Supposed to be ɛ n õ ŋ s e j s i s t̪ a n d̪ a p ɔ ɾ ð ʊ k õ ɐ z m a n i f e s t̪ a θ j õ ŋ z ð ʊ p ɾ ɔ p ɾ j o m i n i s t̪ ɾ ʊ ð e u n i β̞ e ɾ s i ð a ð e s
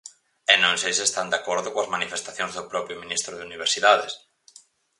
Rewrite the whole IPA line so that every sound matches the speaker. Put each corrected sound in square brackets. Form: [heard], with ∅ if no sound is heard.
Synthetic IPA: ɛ n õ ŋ s e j s [e] s t̪ a n d̪ a [k] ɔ ɾ ð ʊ k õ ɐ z m a n i f e s t̪ a θ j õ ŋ z ð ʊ p ɾ ɔ p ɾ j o m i n i s t̪ ɾ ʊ ð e u n i β̞ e ɾ s i ð a ð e s